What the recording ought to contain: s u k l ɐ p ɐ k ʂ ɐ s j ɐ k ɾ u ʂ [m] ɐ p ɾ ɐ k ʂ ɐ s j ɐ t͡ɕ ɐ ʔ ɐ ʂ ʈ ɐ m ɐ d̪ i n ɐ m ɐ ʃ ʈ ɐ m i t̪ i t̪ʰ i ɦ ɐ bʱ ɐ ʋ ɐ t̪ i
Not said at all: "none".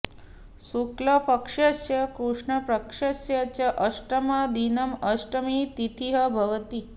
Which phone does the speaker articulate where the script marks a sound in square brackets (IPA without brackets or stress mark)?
ɳ